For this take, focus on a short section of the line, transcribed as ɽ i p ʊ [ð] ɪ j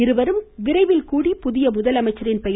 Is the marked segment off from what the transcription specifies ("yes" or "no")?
no